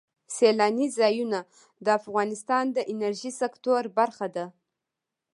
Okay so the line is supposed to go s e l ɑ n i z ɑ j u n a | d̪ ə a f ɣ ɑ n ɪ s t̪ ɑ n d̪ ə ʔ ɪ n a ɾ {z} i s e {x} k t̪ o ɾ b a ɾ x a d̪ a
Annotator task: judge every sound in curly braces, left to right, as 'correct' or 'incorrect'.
incorrect, incorrect

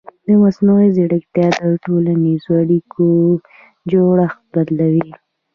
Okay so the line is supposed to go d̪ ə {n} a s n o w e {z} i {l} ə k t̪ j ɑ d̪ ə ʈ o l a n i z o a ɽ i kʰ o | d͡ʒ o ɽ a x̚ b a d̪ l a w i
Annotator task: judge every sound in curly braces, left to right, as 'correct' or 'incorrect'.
incorrect, correct, incorrect

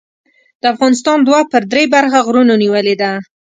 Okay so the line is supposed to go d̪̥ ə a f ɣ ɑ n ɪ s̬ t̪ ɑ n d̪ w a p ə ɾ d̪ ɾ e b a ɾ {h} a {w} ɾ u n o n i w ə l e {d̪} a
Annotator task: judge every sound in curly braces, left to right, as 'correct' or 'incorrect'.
incorrect, incorrect, correct

